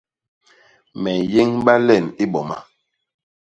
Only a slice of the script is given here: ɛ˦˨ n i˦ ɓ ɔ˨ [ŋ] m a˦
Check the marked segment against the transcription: incorrect: none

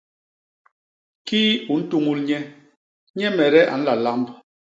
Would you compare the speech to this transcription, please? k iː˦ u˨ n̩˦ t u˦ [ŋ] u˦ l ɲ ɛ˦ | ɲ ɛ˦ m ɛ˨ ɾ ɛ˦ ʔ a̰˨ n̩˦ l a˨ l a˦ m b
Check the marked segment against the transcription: correct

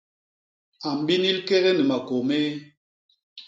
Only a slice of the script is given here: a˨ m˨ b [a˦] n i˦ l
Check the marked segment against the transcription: incorrect: i˦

